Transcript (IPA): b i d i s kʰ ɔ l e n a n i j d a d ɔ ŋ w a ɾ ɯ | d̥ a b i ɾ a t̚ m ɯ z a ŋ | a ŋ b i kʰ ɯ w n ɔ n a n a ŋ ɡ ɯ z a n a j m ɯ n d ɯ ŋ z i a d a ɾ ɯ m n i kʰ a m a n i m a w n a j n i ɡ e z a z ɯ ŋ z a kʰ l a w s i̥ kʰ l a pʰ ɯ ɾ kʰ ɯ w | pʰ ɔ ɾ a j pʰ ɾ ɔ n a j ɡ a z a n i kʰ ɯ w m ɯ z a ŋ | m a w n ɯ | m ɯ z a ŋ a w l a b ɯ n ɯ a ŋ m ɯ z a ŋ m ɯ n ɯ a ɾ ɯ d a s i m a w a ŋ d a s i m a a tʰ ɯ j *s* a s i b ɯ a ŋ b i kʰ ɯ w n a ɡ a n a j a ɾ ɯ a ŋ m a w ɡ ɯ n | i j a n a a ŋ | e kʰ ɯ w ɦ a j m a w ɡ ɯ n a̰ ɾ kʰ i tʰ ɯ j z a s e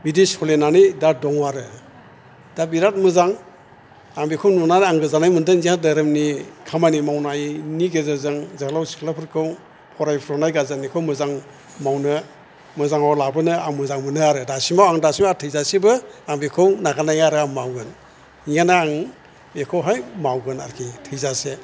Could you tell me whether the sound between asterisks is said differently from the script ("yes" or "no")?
yes